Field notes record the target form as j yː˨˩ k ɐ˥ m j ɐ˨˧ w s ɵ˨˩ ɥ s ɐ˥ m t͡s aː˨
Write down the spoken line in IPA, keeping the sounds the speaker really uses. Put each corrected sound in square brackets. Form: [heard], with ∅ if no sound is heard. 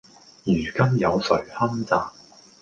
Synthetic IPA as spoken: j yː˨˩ k ɐ˥ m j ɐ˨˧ w s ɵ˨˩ ɥ [h] ɐ˥ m t͡s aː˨